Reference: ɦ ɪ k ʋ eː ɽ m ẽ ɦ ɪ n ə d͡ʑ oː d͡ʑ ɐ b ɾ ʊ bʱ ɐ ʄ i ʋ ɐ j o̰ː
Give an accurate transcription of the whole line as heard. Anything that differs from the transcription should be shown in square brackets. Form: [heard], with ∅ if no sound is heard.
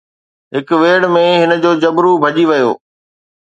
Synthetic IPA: ɦ ɪ k ʋ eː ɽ m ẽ ɦ ɪ n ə d͡ʑ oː d͡ʑ ɐ b ɾ [u] bʱ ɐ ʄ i ʋ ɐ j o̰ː